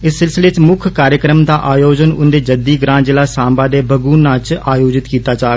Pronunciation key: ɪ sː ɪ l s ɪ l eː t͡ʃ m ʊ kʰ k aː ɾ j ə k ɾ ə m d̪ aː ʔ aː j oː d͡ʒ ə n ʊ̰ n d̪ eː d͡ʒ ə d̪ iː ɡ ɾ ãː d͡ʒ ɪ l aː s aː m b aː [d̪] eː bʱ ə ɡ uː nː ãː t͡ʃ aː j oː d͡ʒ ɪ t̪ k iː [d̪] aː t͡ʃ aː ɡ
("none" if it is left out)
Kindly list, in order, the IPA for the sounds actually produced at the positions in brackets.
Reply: d̪, t̪

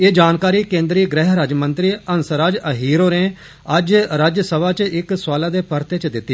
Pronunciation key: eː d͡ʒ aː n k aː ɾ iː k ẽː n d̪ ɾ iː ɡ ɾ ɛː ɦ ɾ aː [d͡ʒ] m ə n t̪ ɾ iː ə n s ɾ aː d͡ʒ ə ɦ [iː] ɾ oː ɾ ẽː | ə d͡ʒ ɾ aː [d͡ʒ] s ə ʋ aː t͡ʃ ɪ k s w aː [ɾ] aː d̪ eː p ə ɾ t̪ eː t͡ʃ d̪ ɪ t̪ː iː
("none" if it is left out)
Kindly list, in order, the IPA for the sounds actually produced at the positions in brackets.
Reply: d͡ʒ, iː, d͡ʒ, l

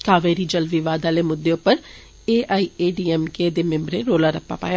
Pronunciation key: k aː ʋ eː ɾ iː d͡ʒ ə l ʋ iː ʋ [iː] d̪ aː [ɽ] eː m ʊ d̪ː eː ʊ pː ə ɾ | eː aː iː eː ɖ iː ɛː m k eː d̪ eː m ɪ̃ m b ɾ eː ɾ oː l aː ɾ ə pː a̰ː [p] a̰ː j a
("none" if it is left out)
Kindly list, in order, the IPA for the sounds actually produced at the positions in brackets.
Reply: aː, l, p

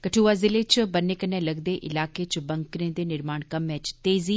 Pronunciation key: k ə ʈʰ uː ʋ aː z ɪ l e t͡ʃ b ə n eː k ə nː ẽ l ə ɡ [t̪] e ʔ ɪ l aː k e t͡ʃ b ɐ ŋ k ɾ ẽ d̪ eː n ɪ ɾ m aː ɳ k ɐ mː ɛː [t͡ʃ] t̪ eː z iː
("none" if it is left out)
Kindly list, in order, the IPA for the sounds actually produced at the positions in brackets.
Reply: d̪, t͡ʃ

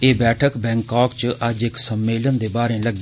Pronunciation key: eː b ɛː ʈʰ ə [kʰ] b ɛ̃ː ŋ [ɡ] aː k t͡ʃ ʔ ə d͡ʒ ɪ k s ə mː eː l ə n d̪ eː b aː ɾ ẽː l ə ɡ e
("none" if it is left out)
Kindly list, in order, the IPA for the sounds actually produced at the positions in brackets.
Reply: k, k

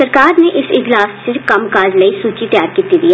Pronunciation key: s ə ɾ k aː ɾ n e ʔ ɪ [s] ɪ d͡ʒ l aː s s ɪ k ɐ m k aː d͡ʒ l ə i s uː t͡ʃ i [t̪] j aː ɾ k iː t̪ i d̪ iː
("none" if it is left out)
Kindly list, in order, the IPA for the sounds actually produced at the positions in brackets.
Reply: s, t̪

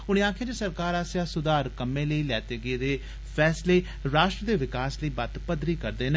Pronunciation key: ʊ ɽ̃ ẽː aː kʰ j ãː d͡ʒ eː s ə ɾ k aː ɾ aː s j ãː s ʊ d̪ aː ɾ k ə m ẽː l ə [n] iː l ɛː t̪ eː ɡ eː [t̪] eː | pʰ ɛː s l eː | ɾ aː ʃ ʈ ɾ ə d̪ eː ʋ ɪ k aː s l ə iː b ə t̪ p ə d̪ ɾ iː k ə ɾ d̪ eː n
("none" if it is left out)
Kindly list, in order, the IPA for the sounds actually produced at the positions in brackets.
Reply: none, d̪

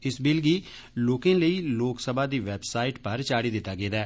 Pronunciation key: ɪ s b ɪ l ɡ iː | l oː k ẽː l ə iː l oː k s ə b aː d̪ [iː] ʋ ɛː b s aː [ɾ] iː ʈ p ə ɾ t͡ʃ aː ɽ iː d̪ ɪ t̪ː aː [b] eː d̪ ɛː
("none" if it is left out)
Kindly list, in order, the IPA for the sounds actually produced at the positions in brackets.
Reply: iː, none, ɡ

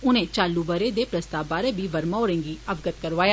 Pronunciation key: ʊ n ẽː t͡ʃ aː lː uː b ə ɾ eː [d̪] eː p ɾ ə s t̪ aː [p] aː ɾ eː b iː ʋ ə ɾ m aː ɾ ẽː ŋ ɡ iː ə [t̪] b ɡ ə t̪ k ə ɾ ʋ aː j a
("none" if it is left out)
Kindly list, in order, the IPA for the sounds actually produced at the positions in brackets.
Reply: d̪, b, none

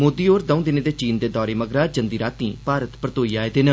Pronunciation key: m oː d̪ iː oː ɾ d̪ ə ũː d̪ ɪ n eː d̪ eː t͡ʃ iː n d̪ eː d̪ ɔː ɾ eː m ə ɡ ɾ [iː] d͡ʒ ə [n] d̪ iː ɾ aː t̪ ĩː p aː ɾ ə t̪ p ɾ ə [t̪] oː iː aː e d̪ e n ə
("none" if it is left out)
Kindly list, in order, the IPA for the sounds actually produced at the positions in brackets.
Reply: aː, n, t̪

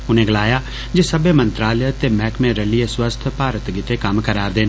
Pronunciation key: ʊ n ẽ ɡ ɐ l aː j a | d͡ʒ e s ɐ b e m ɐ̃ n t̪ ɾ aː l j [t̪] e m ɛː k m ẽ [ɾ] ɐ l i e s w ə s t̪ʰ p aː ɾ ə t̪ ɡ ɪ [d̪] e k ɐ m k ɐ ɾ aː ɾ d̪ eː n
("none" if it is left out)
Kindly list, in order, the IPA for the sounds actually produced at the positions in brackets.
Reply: t̪, ɾ, t̪

